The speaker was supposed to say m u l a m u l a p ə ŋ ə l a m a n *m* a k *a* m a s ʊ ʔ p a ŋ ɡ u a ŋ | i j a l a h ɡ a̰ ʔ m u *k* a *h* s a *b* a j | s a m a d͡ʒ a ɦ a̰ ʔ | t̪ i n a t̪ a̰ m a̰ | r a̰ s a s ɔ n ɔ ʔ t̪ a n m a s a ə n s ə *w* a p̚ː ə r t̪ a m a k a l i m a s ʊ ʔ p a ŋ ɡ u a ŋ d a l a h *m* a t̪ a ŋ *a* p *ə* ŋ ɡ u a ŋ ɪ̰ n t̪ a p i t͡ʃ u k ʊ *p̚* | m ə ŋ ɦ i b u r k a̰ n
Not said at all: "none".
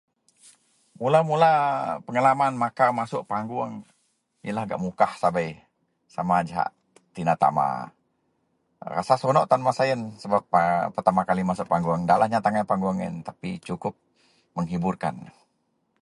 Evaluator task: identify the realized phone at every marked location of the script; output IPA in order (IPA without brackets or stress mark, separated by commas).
m, a, k, h, b, b, ɲ, a, a, p̚